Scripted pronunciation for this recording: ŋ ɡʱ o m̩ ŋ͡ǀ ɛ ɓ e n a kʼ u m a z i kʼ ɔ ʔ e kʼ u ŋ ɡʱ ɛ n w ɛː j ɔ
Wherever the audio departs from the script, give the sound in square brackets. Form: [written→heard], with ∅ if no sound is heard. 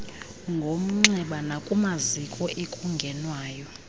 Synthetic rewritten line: ŋ ɡʱ o m̩ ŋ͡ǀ ɛ ɓ [e→a] n a kʼ u m a z i kʼ ɔ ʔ e kʼ u ŋ ɡʱ ɛ n w [ɛː→aː] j ɔ